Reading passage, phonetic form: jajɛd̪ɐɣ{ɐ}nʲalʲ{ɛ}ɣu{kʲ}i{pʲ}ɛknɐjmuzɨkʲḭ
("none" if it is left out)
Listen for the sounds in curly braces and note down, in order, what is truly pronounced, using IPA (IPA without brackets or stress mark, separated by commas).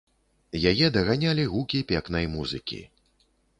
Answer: a, i, kʲ, pʲ